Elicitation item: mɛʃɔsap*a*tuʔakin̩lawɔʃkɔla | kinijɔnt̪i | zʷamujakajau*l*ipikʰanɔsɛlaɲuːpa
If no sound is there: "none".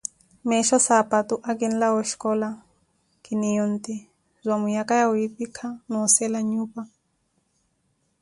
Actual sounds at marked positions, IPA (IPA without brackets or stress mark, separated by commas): a, none